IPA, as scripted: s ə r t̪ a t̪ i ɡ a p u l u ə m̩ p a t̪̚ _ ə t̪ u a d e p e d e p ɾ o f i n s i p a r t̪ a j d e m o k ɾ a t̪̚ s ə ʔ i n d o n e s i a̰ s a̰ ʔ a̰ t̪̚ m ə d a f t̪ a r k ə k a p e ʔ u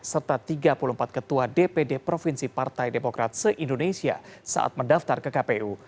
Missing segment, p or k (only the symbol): k